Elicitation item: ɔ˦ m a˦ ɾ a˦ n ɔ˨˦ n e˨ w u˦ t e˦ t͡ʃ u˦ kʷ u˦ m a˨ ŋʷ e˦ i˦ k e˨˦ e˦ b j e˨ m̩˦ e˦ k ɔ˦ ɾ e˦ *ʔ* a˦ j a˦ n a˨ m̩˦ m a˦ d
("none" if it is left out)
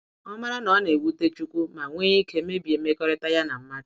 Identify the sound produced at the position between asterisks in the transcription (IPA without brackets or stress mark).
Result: t